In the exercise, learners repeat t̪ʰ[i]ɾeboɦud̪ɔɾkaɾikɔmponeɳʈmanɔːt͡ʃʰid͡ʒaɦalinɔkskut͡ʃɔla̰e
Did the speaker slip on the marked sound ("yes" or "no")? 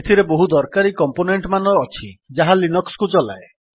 no